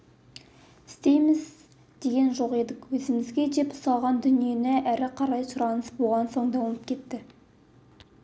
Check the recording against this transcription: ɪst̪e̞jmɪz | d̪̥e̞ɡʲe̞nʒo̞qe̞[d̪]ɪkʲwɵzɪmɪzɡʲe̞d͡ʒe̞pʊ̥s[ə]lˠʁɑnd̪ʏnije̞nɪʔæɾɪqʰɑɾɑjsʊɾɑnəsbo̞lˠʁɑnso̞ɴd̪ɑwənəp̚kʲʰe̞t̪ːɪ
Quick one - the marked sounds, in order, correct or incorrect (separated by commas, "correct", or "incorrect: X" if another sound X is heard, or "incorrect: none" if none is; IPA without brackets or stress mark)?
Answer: correct, incorrect: ɑ